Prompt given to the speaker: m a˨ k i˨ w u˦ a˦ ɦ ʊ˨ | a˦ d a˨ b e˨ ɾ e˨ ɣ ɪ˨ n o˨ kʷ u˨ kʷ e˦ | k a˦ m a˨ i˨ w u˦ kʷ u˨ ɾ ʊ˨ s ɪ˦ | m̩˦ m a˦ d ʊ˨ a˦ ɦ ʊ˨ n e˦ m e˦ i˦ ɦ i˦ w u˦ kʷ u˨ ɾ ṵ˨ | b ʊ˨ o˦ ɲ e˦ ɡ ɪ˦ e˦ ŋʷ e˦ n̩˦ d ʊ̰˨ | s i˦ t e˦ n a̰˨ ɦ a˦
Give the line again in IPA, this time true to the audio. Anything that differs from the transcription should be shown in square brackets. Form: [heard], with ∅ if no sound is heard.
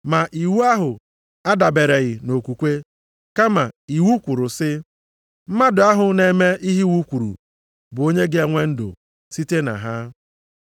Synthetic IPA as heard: m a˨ [ʔ] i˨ w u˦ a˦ ɦ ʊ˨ | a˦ d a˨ b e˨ ɾ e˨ ɣ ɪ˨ n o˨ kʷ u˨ kʷ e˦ | k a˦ m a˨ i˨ w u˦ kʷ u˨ ɾ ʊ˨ s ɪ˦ | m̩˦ m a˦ d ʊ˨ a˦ ɦ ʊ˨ n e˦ m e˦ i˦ ɦ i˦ w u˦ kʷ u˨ ɾ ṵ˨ | b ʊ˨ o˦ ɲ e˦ ɡ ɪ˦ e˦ ŋʷ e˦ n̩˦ d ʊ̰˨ | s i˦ t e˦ n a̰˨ ɦ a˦